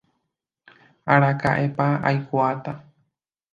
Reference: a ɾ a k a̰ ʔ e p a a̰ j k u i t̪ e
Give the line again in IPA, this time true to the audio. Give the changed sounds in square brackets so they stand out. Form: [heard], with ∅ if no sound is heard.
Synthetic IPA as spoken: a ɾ a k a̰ ʔ e p a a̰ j k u [a] t̪ [a]